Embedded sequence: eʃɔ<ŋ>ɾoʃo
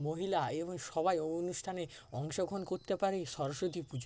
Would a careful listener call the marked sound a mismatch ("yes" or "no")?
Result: yes